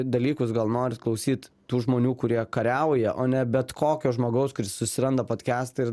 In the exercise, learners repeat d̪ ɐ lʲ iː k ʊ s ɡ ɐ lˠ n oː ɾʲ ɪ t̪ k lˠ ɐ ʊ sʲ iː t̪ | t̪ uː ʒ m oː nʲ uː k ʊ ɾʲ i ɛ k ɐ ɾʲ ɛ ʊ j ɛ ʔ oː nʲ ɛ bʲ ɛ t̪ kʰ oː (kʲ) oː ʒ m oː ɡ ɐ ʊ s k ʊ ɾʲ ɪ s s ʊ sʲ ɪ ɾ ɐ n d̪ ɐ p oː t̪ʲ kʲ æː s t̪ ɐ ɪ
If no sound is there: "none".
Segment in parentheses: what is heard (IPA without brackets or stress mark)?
kʲ